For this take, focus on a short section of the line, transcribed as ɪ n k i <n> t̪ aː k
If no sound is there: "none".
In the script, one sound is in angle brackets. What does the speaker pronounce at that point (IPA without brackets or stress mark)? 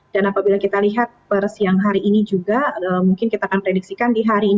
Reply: none